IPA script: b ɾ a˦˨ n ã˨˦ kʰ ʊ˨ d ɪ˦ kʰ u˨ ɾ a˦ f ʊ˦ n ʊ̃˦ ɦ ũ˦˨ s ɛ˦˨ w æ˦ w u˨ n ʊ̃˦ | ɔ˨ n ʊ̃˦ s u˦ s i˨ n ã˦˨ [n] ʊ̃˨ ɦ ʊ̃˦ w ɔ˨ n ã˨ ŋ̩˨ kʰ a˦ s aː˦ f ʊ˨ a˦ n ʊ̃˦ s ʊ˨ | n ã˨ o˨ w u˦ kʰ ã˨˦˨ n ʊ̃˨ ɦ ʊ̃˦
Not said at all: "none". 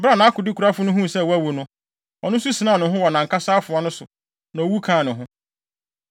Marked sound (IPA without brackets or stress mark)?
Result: n